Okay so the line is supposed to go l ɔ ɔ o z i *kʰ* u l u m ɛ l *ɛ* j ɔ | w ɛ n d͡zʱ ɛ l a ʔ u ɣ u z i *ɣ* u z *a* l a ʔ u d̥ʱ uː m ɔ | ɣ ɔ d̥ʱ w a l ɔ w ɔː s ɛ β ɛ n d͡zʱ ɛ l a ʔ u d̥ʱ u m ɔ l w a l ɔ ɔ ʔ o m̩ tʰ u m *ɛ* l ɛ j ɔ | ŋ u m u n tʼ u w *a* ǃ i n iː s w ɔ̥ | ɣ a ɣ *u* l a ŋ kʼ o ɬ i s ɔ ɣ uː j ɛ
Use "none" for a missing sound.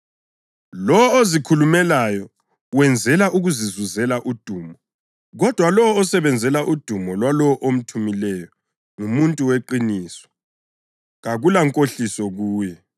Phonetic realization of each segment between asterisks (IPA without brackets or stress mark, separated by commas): kʰ, a, z, ɛ, i, e, u